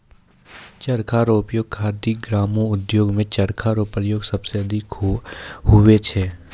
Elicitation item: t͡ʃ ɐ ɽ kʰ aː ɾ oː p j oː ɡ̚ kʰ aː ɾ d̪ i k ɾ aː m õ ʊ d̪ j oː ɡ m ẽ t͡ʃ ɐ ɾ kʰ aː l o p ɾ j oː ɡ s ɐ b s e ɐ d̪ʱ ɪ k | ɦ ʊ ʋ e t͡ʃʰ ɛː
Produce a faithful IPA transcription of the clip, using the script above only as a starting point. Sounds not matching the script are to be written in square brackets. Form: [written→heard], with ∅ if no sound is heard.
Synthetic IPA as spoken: t͡ʃ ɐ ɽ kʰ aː ɾ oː p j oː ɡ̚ kʰ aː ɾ d̪ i [k→ɡ] ɾ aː m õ ʊ d̪ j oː ɡ m ẽ t͡ʃ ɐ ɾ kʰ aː [l→ɾ] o p ɾ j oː ɡ s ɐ b s e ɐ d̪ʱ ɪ k | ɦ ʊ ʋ e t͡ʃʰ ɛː

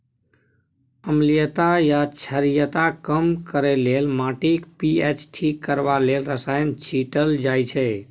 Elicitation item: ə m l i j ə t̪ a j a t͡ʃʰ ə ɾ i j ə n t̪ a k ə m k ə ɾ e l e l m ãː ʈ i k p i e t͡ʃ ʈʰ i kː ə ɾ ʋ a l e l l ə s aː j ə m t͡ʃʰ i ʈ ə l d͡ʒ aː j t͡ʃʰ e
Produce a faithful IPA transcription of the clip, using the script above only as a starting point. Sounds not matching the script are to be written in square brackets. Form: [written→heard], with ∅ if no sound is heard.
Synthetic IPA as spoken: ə m l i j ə t̪ a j a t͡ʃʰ ə ɾ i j ə [n→∅] t̪ a k ə m k ə ɾ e l e l m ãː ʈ i k p i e t͡ʃ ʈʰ i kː ə ɾ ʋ a l e l [l→ɾ] ə s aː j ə [m→n] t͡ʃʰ i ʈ ə l d͡ʒ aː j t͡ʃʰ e

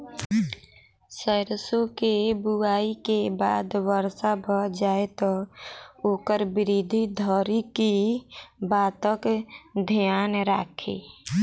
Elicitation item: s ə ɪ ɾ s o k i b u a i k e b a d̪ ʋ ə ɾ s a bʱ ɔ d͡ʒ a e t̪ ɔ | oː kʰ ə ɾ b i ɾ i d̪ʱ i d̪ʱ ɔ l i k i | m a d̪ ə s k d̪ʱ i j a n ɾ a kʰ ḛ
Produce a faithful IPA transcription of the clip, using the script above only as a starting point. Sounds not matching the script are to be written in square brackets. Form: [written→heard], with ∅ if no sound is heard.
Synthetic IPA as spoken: s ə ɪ ɾ s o k [i→e] b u a i k e b a d̪ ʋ ə ɾ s a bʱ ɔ d͡ʒ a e t̪ ɔ | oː [kʰ→k] ə ɾ b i ɾ i d̪ʱ i d̪ʱ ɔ [l→ɾ] i k i | [m→b] a [d̪→t̪] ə [s→∅] k d̪ʱ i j a n ɾ a kʰ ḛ

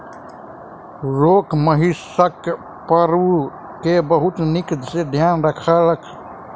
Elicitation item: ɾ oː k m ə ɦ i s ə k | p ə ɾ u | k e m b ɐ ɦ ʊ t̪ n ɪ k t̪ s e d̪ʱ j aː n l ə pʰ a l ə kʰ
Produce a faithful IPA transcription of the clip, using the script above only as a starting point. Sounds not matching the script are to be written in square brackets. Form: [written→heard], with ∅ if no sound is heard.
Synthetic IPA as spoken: ɾ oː k m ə ɦ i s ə k | p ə ɾ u | k e [m→∅] b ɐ ɦ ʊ t̪ n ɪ k [t̪→d̪] s e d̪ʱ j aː n [l→ɾ] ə [pʰ→kʰ] a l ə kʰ

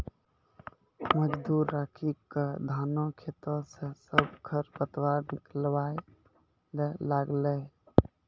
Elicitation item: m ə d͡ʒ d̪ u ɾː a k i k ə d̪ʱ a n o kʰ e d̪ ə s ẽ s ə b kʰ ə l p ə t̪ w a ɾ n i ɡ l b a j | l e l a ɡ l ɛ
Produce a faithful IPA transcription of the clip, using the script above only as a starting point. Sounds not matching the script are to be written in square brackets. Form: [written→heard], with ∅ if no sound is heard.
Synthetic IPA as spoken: m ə d͡ʒ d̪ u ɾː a [k→kʰ] i k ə d̪ʱ a n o kʰ e [d̪→t̪] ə s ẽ s ə b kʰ ə [l→ɾ] p ə t̪ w a ɾ n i [ɡ→k] l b a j | l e l a ɡ l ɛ

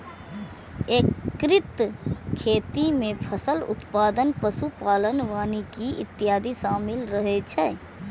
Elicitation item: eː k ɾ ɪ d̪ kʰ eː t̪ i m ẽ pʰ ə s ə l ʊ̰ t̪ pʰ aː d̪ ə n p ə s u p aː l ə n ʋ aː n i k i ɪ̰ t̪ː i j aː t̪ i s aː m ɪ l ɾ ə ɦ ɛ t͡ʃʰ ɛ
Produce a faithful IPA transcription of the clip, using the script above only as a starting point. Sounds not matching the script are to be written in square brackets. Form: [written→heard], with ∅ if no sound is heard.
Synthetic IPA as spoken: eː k ɾ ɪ [d̪→t̪] kʰ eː t̪ i m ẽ pʰ ə s ə l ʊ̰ t̪ [pʰ→p] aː d̪ ə n p ə s u p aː l ə n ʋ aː n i k i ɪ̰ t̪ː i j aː [t̪→d̪] i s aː m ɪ l ɾ ə ɦ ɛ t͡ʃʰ ɛ

